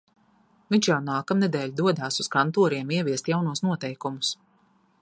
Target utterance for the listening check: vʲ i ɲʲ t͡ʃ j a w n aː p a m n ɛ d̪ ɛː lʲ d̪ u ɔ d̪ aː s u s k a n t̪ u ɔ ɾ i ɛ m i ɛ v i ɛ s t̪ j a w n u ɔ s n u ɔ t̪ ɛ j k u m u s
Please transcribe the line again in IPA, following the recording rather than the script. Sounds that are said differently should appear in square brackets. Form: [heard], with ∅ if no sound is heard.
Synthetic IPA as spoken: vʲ i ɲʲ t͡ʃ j a w n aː [k] a m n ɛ d̪ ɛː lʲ d̪ u ɔ d̪ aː s u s k a n t̪ u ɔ ɾ i ɛ m i ɛ v i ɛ s t̪ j a w n u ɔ s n u ɔ t̪ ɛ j k u m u s